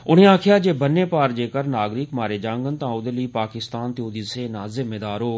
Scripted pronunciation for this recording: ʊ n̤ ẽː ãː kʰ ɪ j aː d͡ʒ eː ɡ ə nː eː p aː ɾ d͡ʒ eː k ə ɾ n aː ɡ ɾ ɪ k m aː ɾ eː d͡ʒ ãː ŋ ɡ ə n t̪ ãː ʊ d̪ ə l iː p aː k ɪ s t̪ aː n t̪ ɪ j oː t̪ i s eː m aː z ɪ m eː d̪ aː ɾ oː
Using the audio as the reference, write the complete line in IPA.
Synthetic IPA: ʊ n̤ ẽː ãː kʰ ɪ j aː d͡ʒ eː b ə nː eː p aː ɾ d͡ʒ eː k ə ɾ n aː ɡ ɾ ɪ k m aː ɾ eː d͡ʒ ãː ŋ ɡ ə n t̪ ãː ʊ d̪ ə l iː p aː k ɪ s t̪ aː n t̪ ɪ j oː d̪ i s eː n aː z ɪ m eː d̪ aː ɾ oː